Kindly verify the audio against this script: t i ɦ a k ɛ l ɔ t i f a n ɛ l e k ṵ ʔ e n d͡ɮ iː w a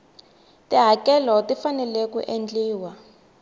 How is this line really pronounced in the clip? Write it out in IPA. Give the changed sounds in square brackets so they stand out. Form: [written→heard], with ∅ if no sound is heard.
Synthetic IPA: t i ɦ a k ɛ l ɔ t i f a n ɛ l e k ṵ ʔ e n d͡ɮ iː w a